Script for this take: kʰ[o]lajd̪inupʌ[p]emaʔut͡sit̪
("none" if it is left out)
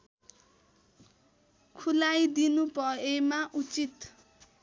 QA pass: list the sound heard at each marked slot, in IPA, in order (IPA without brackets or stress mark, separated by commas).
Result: u, none